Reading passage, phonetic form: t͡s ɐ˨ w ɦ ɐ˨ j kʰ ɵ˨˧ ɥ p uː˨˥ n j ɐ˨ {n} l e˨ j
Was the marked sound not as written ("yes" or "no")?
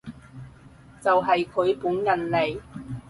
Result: no